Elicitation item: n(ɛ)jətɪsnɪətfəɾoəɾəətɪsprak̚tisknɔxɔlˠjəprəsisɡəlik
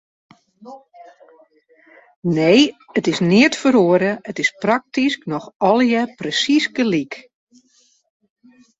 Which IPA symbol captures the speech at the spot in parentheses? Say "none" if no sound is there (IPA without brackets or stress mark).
e